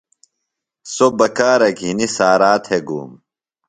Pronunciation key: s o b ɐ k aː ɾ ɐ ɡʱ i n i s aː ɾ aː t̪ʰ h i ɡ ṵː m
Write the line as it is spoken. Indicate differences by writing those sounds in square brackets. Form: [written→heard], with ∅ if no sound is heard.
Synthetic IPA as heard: s o b ɐ k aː ɾ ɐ ɡʱ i n i s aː ɾ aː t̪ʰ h [i→e] ɡ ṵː m